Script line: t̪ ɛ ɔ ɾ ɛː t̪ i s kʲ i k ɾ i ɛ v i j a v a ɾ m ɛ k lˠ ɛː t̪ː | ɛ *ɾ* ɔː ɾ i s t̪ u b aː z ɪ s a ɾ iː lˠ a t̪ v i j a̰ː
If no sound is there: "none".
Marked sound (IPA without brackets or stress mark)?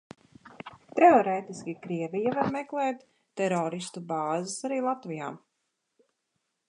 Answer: ɾ